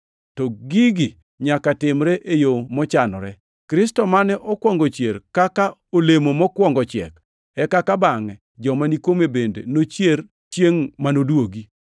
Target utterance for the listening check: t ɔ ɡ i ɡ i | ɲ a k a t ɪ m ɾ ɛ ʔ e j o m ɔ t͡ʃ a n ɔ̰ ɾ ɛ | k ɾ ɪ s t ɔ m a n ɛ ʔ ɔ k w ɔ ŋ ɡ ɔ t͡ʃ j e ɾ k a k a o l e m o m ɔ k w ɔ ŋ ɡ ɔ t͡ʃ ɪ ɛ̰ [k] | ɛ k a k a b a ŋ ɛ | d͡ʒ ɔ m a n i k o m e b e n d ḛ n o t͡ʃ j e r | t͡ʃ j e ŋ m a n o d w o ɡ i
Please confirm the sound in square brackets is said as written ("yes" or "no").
yes